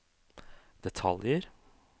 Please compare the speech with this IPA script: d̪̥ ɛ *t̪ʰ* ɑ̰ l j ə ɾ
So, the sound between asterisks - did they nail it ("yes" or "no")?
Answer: yes